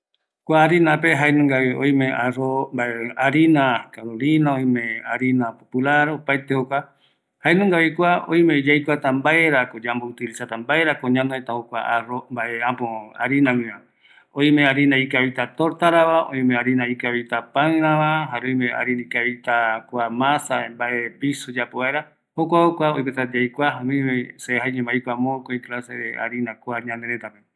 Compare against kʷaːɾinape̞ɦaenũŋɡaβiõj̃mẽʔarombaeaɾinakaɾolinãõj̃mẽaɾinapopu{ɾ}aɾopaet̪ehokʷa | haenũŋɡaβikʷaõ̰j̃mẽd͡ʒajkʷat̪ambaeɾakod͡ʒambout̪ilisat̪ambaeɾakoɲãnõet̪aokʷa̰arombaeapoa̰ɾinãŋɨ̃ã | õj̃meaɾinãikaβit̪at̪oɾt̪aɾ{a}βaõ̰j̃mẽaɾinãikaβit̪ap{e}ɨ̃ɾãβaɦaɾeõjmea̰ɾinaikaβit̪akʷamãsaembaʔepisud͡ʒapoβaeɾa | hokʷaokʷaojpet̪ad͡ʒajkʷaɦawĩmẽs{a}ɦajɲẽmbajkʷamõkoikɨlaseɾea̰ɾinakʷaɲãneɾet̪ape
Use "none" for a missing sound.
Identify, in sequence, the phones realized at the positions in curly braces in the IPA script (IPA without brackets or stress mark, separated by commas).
l, a, a, e